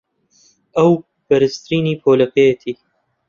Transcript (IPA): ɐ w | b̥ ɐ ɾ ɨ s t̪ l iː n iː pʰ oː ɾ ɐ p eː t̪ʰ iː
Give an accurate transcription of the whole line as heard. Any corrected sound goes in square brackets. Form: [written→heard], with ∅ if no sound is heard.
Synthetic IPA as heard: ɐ w | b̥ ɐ ɾ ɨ s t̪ [l→ɾ] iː n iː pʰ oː [ɾ→l] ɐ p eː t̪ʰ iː